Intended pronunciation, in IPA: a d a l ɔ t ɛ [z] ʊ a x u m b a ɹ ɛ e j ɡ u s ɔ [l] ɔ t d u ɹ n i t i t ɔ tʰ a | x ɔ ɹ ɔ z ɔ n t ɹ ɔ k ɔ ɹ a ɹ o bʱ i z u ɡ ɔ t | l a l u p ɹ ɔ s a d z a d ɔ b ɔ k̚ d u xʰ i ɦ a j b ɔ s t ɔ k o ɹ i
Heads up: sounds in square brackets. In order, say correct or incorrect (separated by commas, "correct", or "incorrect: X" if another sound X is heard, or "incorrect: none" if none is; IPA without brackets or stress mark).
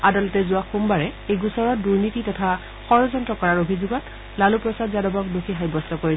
correct, incorrect: ɹ